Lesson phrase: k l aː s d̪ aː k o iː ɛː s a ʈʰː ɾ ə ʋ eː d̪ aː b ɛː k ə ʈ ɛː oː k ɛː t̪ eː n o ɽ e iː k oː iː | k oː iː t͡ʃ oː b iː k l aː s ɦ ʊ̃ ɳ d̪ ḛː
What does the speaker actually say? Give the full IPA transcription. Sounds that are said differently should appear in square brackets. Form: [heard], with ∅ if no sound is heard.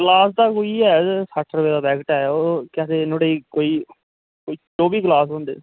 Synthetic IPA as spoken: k l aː s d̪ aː k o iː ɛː s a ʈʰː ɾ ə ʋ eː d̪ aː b ɛː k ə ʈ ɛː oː k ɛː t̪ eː n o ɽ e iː k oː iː | k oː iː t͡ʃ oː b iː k l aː s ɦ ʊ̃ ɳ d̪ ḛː